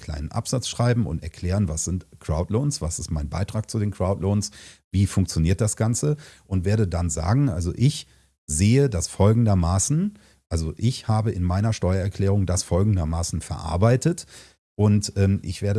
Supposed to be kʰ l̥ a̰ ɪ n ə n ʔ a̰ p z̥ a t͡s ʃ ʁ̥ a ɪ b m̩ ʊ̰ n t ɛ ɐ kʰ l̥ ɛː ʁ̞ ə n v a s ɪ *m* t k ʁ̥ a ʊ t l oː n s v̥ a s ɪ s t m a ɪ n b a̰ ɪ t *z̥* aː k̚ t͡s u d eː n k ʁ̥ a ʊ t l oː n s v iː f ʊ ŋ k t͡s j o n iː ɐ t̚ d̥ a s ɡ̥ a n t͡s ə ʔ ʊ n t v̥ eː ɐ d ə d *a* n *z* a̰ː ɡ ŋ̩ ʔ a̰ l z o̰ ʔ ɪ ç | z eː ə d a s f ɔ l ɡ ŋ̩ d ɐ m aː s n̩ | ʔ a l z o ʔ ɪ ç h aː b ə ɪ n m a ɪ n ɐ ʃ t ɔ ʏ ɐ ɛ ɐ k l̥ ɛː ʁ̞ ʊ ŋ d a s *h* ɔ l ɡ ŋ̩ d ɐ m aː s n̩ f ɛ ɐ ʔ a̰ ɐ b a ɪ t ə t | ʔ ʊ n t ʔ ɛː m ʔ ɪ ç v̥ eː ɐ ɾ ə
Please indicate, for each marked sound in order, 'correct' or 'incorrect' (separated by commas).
incorrect, incorrect, correct, correct, incorrect